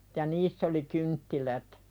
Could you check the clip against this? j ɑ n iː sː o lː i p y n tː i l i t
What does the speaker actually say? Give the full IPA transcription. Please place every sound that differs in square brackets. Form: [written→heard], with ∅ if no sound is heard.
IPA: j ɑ n iː sː o [lː→l] i [p→k] y n tː i l [i→æ] t